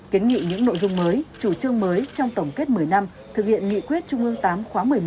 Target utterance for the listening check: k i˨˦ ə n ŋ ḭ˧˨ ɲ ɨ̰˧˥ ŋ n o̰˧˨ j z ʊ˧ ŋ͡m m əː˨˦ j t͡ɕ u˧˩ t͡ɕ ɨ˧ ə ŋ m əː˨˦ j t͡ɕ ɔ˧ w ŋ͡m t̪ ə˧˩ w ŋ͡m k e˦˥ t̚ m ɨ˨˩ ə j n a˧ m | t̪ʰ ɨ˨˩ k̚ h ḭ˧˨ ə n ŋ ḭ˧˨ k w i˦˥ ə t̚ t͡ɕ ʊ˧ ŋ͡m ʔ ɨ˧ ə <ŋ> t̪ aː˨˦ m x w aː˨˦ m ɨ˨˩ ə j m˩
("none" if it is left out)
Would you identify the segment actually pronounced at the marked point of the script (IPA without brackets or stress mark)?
ŋ